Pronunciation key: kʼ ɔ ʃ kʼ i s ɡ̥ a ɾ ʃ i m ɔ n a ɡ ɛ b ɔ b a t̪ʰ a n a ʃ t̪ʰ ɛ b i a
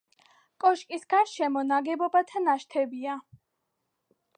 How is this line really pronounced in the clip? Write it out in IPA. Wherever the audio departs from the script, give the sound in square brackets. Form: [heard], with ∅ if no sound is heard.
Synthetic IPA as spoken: kʼ ɔ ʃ kʼ i s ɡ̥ a ɾ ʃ [ɛ] m ɔ n a ɡ ɛ b ɔ b a t̪ʰ a n a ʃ t̪ʰ ɛ b i a